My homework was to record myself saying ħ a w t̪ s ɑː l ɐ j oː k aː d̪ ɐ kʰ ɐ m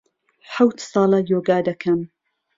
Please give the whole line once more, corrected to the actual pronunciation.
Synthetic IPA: ħ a w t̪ s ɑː l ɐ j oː ɡ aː d̪ ɐ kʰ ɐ m